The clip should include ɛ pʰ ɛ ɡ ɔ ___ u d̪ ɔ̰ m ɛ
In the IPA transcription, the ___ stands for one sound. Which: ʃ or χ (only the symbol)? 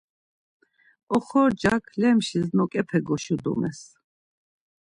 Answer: ʃ